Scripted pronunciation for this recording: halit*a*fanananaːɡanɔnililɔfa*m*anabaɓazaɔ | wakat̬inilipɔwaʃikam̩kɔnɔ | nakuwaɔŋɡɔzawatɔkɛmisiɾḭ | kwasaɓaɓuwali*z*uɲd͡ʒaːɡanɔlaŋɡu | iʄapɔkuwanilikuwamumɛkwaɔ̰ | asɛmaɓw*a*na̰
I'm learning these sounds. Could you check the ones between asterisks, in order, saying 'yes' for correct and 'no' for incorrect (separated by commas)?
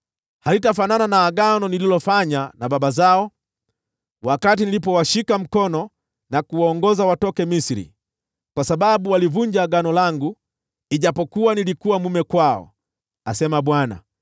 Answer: yes, no, no, yes